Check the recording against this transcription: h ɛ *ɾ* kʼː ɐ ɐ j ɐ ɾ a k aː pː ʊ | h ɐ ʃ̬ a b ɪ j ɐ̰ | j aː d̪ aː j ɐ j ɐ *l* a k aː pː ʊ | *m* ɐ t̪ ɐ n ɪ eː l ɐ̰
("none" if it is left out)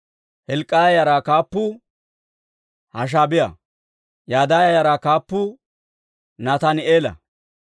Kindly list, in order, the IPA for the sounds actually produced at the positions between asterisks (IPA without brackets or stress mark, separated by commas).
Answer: l, ɾ, n